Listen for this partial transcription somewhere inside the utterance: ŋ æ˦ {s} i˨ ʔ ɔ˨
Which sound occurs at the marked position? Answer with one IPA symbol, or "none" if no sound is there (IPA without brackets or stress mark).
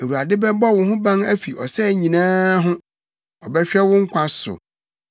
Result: f